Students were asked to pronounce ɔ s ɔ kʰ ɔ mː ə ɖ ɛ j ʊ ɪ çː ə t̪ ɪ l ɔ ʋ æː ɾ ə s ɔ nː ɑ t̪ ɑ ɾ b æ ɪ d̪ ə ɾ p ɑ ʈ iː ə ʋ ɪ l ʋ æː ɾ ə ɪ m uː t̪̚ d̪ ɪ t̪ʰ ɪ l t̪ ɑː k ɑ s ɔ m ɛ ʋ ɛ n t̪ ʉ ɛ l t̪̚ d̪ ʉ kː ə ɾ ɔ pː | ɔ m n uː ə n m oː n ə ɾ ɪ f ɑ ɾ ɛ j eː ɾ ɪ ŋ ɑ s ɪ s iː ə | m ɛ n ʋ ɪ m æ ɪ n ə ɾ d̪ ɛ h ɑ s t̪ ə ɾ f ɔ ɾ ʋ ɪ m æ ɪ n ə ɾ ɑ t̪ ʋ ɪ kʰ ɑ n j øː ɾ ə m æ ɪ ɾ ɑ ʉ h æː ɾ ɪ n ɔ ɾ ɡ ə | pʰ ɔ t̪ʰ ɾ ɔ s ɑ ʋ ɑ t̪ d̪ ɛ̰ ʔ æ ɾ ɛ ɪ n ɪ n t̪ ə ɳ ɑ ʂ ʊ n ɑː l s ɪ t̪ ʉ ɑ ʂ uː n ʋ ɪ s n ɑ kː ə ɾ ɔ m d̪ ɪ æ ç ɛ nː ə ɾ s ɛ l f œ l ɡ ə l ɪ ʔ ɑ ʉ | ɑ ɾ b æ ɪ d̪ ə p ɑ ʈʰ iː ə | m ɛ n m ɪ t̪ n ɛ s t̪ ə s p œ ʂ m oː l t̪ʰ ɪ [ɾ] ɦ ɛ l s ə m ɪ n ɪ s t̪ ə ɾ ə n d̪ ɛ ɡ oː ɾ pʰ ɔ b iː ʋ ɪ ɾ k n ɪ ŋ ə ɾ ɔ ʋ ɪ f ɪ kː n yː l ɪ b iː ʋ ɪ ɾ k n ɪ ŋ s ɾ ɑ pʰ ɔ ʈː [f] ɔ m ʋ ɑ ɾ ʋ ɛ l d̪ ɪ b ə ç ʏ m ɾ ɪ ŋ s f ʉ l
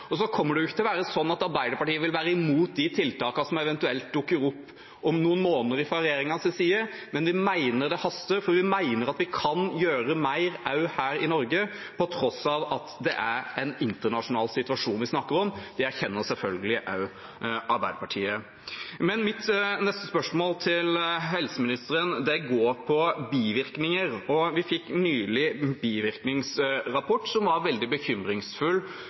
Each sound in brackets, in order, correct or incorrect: incorrect: l, incorrect: s

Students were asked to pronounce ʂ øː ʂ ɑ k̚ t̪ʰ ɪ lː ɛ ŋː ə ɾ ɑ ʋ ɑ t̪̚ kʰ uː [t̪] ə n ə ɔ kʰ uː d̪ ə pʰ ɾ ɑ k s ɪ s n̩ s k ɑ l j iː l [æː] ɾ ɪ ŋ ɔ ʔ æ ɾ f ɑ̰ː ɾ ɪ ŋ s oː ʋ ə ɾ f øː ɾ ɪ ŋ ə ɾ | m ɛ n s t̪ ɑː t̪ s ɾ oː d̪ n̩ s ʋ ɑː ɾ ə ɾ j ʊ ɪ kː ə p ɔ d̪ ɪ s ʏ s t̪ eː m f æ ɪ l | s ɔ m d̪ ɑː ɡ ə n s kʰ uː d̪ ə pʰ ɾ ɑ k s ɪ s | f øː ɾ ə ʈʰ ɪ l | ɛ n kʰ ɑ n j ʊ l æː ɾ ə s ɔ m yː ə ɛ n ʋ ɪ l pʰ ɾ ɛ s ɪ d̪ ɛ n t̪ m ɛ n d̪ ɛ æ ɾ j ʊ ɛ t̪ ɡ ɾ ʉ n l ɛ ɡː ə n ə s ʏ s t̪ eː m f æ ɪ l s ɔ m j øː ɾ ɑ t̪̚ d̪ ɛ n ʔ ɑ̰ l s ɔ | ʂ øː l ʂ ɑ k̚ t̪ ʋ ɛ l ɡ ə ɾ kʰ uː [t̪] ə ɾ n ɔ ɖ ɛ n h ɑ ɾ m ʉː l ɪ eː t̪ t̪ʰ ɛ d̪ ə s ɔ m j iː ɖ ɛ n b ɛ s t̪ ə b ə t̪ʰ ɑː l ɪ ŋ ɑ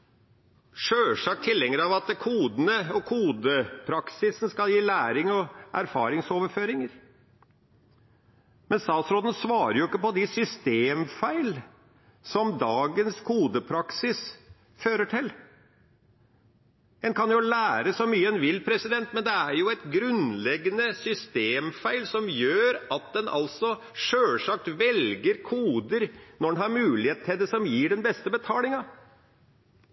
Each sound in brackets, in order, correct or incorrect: incorrect: d̪, correct, incorrect: d̪

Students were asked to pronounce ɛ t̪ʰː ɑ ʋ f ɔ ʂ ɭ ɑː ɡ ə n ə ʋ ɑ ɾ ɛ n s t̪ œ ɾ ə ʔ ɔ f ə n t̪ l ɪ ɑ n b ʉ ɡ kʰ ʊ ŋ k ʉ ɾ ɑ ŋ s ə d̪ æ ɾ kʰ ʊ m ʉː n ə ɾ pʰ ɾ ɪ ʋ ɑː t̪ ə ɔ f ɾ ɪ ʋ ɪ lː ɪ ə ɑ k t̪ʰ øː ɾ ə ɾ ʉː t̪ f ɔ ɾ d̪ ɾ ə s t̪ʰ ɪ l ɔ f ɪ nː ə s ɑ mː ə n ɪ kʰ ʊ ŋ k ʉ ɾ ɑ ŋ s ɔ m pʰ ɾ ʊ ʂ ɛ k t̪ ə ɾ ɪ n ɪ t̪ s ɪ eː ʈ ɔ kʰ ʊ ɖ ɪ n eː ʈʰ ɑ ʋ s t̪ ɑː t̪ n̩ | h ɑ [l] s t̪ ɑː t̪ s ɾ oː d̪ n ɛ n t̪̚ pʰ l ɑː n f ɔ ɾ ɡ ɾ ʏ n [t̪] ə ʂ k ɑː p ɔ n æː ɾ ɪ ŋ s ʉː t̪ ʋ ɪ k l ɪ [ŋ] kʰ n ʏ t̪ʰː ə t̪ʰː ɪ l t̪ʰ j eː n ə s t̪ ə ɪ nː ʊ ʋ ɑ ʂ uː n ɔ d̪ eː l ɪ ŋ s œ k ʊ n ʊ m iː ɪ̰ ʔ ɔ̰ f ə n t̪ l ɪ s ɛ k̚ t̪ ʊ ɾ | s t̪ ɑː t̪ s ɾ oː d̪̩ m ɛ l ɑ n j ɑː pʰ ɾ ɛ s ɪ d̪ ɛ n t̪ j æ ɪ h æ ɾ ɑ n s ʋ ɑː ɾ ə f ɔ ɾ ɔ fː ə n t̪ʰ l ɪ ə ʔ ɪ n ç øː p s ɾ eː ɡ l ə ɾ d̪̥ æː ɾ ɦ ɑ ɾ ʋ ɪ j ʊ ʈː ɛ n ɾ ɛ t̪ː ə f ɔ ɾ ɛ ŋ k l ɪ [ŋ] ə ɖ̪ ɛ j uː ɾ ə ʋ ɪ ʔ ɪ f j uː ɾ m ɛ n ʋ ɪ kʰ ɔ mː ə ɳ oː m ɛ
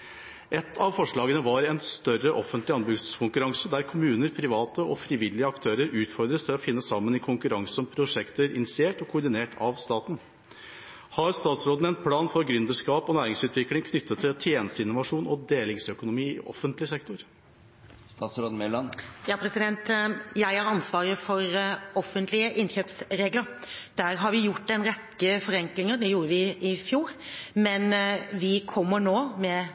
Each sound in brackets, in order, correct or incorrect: incorrect: ɾ, incorrect: d̪, correct, correct

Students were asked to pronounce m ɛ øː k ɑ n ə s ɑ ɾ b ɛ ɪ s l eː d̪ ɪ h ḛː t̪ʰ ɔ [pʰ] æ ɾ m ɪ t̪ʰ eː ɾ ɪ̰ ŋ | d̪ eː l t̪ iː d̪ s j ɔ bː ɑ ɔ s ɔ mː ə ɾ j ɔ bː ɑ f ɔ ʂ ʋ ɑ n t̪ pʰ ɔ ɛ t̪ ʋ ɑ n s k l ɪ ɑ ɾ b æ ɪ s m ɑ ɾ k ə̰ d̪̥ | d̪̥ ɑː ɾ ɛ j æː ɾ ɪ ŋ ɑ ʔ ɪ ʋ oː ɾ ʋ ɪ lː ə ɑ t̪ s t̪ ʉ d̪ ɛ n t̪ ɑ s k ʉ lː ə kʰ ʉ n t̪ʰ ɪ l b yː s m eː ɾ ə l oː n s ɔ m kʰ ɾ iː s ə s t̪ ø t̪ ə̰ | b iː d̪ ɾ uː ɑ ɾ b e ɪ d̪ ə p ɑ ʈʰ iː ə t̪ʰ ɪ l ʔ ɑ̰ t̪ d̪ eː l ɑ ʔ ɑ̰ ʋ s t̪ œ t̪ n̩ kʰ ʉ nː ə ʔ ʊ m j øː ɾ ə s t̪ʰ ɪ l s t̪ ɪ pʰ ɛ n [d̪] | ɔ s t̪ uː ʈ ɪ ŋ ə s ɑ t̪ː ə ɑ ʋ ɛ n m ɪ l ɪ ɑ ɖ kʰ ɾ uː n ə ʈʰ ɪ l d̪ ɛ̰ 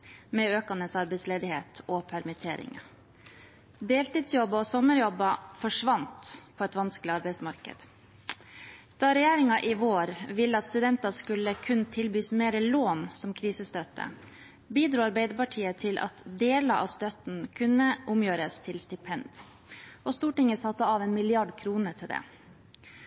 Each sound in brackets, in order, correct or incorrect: correct, correct

